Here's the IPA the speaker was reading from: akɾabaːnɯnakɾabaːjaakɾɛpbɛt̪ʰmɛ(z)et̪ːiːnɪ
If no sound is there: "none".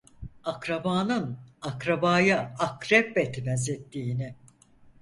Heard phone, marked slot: z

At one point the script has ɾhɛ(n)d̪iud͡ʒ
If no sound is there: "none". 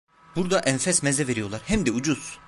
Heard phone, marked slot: m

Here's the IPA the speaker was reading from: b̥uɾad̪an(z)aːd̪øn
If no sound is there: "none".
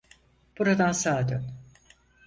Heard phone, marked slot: s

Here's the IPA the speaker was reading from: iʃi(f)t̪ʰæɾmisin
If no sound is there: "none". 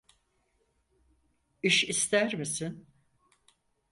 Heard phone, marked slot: s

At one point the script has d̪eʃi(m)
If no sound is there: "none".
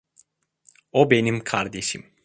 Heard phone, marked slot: m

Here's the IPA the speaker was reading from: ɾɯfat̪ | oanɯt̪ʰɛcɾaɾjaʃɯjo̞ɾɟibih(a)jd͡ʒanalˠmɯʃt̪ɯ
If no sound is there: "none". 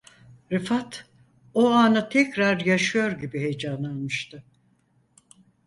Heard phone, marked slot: e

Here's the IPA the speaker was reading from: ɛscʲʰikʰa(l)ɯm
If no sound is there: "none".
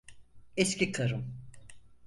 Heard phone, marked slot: ɾ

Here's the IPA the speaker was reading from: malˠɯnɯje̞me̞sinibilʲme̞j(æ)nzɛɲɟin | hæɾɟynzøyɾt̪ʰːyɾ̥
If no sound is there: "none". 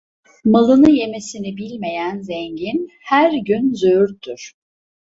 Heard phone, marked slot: æ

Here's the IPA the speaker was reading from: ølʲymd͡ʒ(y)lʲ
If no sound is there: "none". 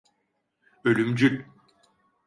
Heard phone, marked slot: y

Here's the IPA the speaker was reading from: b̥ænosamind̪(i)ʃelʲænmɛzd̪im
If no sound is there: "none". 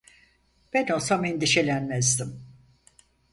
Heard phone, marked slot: i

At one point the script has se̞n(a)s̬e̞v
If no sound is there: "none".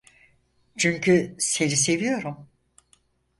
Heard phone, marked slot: i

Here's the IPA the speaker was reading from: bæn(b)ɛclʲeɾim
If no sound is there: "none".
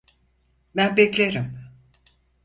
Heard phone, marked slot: b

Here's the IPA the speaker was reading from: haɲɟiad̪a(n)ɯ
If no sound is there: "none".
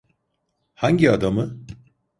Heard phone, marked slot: m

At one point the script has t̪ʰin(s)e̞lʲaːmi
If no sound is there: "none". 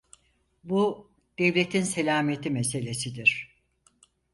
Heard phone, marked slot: s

